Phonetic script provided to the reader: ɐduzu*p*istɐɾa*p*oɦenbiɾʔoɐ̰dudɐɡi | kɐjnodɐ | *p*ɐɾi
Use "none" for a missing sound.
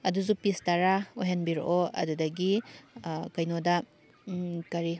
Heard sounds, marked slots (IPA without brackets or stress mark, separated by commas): p, none, k